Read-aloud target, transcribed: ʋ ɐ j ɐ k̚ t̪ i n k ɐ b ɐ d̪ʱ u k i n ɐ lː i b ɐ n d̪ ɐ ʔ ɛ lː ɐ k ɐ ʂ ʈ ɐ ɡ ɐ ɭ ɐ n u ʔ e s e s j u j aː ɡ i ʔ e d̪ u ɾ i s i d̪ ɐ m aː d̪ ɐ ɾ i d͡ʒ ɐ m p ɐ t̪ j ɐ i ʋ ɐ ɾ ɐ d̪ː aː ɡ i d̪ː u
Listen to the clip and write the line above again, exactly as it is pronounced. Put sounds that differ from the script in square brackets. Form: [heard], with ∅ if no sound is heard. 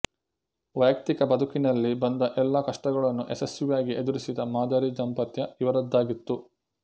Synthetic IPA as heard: ʋ ɐ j ɐ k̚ t̪ i [∅] k ɐ b ɐ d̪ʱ u k i n ɐ lː i b ɐ n d̪ ɐ ʔ ɛ lː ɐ k ɐ ʂ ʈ ɐ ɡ ɐ ɭ ɐ [nː] u ʔ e s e s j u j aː ɡ i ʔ e d̪ u ɾ i s i d̪ ɐ m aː d̪ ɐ ɾ i d͡ʒ ɐ m p ɐ t̪ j ɐ i ʋ ɐ ɾ ɐ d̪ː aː ɡ i [t̪ː] u